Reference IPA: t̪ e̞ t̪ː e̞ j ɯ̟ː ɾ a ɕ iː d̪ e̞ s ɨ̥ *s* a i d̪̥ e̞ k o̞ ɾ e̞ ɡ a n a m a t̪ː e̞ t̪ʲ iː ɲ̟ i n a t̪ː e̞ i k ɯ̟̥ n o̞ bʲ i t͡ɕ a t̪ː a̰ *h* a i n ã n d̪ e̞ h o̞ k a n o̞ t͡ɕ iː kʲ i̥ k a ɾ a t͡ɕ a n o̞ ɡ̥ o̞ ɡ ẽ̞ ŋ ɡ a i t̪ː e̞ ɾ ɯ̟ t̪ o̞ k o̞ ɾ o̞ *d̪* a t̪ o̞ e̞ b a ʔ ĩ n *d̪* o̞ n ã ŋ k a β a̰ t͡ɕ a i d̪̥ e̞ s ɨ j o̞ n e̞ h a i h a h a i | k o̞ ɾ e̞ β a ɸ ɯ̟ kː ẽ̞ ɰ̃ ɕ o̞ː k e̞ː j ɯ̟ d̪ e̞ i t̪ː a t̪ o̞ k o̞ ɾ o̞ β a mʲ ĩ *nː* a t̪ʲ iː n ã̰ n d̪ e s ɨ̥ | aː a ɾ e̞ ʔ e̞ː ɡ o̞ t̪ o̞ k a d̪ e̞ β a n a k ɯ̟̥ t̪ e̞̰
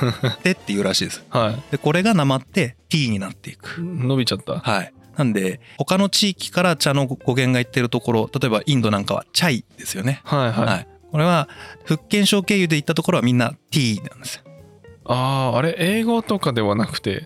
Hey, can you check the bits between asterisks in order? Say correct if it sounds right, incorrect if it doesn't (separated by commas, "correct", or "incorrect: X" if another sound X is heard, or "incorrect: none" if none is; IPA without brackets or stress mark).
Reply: incorrect: h, correct, incorrect: t̪, correct, correct